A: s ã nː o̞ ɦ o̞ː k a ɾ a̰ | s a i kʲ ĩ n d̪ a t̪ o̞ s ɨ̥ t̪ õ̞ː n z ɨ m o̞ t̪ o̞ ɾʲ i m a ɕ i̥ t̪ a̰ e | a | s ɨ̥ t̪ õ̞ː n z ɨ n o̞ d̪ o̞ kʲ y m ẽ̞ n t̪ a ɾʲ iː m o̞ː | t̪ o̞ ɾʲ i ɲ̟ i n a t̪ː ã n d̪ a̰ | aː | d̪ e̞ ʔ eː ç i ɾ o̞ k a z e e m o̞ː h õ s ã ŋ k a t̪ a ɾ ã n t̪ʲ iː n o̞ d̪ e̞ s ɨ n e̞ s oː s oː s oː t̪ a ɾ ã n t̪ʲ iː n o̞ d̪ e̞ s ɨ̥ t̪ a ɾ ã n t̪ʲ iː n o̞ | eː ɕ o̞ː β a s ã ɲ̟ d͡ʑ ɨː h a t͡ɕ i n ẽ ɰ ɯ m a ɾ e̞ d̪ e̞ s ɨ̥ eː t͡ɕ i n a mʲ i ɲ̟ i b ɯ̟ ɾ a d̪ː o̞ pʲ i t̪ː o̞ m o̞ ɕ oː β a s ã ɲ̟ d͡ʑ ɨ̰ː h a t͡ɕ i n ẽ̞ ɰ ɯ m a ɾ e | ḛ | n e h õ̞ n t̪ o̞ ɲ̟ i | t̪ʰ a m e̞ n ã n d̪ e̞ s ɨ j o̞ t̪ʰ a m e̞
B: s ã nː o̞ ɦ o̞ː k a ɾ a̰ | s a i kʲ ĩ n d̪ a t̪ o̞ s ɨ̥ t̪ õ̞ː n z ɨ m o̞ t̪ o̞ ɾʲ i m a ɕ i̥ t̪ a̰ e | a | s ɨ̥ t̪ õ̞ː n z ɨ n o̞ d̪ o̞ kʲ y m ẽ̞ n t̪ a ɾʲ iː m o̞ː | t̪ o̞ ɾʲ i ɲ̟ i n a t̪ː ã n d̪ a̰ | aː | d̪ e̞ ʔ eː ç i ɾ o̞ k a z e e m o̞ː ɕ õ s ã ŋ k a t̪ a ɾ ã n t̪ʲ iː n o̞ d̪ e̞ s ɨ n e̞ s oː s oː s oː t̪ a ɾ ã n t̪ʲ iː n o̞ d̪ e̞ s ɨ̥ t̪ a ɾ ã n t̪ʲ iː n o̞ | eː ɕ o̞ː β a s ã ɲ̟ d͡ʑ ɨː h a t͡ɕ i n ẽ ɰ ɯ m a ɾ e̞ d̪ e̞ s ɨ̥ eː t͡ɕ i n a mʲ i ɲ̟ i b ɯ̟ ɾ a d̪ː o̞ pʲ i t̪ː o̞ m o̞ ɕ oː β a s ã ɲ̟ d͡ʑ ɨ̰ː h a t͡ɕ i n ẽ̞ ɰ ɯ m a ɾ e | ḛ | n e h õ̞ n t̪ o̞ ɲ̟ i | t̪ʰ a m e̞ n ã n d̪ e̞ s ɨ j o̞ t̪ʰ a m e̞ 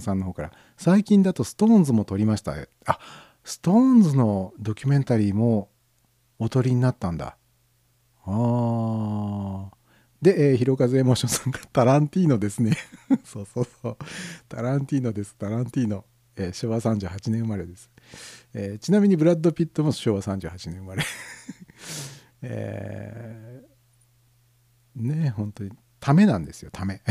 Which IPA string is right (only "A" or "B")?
B